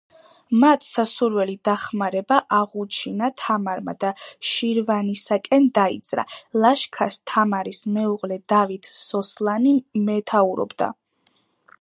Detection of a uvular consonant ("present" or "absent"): present